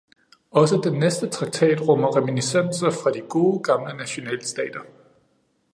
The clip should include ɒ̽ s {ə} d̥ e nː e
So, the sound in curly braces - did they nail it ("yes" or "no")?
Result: yes